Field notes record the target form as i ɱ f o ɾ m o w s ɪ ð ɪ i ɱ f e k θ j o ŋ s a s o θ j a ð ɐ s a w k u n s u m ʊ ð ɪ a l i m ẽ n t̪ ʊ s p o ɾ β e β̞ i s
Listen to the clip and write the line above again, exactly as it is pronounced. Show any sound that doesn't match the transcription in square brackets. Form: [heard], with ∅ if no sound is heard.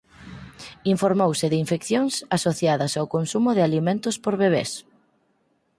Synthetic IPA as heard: i ɱ f o ɾ m o w s ɪ ð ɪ i ɱ f e k θ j o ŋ s a s o θ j a ð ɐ s a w k [o] n s u m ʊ ð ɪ a l i m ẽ n t̪ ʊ s p o ɾ β e β̞ [e] s